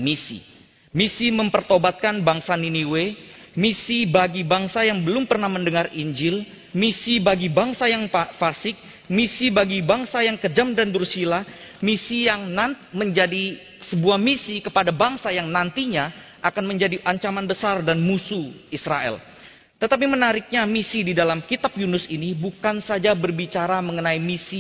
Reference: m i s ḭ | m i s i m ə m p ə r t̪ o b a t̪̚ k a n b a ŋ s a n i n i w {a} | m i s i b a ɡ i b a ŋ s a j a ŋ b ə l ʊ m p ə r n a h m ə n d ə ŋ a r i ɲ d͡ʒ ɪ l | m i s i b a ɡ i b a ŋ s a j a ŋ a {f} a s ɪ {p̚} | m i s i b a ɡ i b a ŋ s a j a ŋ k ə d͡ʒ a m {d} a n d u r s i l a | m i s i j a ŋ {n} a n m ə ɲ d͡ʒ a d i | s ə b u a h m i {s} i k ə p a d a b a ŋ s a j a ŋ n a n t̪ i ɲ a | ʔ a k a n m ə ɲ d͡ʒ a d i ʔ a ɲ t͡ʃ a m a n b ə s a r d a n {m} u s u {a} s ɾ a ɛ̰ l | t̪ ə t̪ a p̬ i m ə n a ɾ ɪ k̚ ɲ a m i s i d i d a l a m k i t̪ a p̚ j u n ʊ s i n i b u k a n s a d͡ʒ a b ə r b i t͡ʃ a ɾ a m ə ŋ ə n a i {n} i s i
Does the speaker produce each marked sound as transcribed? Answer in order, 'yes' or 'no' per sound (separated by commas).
no, yes, no, yes, yes, yes, yes, no, no